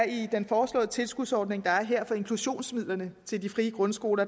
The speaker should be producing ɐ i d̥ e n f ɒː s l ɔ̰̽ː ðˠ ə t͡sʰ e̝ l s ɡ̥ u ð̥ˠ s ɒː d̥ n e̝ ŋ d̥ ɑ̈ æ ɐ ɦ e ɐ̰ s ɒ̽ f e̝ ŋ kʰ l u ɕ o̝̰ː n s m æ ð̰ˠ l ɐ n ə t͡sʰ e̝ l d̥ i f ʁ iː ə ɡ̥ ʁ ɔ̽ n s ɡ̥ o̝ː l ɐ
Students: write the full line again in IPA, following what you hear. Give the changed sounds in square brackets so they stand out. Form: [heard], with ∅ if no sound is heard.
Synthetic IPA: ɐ i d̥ e n f ɒː s l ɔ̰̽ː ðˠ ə t͡sʰ e̝ l s ɡ̥ u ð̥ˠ s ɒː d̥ n e̝ ŋ d̥ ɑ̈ æ ɐ ɦ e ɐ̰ [f] ɒ̽ [∅] e̝ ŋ kʰ l u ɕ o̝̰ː n s m [i] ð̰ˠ l ɐ n ə t͡sʰ e̝ l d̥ i f ʁ iː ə ɡ̥ ʁ ɔ̽ n s ɡ̥ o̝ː l ɐ